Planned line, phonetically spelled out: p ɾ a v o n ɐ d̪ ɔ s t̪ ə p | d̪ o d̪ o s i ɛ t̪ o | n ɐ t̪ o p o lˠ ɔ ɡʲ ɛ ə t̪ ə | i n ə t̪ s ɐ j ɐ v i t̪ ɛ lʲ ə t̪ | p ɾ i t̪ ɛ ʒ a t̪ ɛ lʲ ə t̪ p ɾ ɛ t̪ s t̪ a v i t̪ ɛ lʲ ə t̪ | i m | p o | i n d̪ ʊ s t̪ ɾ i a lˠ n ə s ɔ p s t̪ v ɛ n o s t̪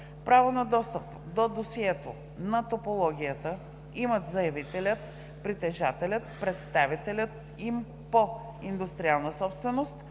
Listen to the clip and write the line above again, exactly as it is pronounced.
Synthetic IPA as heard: p ɾ a v o n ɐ d̪ ɔ s t̪ ə p | d̪ o d̪ o s i ɛ t̪ o | n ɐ t̪ o p o lˠ ɔ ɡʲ i ə t̪ ə | i m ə t̪ z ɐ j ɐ v i t̪ ɛ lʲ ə t̪ | p ɾ i t̪ ɛ ʒ a t̪ ɛ lʲ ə t̪ p ɾ ɛ t̪ s t̪ a v i t̪ ɛ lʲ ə t̪ | i m | p o | i n d̪ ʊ s t̪ ɾ i a lˠ n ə s ɔ p s t̪ v ɛ n o s t̪